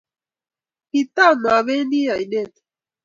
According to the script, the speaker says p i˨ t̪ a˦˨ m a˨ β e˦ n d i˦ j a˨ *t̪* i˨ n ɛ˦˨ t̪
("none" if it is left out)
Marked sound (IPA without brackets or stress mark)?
none